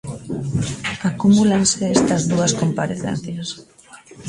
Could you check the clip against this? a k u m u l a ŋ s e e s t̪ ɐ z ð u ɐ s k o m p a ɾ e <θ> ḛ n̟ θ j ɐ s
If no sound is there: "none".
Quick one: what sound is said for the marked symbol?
θ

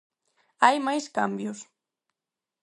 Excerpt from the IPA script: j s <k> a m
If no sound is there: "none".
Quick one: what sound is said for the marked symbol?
k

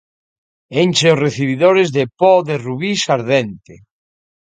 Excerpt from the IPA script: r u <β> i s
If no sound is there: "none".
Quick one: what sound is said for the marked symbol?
β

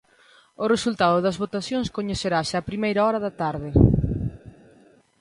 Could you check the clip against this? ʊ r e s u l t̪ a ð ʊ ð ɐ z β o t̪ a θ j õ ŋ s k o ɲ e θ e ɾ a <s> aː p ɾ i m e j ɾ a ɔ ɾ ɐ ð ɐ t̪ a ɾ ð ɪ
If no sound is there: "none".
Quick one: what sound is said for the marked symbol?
ʃ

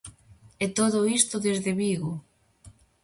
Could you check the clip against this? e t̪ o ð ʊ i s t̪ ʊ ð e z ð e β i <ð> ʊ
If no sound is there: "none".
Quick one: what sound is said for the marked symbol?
ɣ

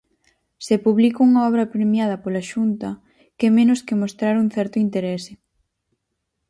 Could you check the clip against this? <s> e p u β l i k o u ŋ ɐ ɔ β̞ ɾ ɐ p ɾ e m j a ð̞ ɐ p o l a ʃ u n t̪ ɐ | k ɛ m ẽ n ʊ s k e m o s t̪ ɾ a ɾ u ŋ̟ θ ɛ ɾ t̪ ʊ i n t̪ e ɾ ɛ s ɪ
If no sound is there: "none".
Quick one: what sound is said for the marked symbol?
s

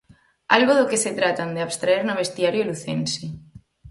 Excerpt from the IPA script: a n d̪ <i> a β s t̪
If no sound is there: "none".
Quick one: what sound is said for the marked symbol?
e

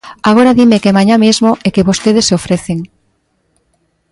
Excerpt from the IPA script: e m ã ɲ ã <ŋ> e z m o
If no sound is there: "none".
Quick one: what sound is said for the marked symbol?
m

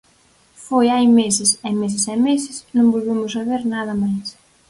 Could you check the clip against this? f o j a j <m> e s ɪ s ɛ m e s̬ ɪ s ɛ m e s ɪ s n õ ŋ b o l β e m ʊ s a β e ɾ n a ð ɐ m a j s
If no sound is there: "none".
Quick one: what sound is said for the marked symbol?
m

